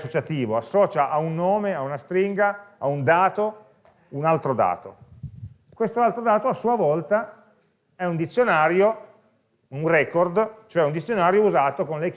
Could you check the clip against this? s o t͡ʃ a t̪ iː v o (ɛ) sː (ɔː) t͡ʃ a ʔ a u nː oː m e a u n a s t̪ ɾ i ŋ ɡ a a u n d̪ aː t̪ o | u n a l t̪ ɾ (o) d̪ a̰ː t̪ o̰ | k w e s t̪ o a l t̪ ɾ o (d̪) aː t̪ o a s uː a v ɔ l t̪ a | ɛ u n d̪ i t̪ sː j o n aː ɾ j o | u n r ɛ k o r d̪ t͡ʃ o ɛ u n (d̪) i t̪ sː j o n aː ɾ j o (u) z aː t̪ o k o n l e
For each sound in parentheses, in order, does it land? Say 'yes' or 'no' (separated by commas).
no, yes, yes, yes, yes, yes